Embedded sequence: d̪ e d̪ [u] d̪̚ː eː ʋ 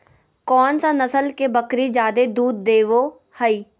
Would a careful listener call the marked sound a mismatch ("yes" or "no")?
yes